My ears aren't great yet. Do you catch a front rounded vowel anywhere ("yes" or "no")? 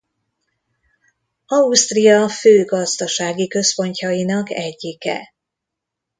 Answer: yes